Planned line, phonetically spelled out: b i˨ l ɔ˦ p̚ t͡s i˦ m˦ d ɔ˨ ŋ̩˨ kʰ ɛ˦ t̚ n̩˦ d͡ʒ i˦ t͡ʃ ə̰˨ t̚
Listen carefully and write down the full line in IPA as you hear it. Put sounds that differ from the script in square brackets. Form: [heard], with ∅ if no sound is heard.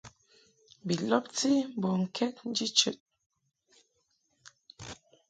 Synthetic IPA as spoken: b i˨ l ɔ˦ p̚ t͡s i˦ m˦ [b] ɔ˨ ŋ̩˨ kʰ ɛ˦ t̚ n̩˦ d͡ʒ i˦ t͡ʃ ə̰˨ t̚

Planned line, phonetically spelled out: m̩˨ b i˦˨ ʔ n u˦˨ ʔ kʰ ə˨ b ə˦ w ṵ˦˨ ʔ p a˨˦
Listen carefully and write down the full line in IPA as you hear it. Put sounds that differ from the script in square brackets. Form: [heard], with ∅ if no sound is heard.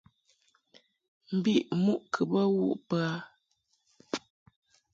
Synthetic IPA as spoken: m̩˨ b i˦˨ ʔ [m] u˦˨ ʔ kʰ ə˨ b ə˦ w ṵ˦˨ ʔ p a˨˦

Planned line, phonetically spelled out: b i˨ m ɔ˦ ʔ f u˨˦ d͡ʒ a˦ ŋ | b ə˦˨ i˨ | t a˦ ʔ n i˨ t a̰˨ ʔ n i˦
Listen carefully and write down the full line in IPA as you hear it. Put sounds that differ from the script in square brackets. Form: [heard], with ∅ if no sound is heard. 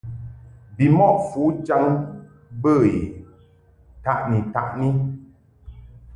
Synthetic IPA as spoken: b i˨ m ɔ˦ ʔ f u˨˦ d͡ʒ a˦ ŋ | b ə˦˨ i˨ | t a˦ ʔ n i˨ t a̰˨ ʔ n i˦

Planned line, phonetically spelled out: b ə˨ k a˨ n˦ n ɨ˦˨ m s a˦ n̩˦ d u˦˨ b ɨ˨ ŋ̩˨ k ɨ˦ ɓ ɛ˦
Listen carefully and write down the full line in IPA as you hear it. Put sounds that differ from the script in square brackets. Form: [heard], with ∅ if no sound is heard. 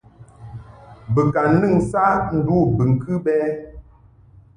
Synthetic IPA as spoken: b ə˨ k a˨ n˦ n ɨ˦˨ [ŋ] s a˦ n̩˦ d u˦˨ b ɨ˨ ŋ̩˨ k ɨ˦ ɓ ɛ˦

